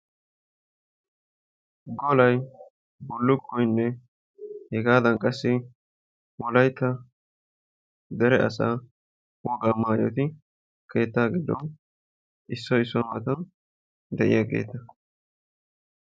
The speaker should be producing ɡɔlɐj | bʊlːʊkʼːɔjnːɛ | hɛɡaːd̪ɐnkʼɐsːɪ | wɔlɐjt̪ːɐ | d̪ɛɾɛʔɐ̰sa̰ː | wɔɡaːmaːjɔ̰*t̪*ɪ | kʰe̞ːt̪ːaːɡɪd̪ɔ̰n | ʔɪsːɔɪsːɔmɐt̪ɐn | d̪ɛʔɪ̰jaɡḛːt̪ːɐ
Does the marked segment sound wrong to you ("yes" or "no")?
no